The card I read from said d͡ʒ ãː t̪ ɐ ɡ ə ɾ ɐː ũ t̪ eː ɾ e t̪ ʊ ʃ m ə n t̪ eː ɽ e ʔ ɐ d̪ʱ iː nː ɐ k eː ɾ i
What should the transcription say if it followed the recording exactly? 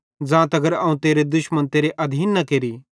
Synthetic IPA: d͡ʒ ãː t̪ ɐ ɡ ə ɾ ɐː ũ t̪ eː ɾ e d̪ ʊ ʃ m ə n t̪ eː ɾ e ʔ ɐ d̪ʱ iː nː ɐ k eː ɾ i